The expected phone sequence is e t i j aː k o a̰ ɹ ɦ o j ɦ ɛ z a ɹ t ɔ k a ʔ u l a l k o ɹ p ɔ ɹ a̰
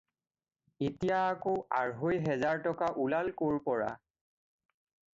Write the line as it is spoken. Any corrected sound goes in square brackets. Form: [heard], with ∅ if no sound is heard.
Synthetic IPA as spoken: e t i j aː k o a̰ ɹ ɦ o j ɦ ɛ z a ɹ t ɔ k a ʔ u l a l k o ɹ p ɔ ɹ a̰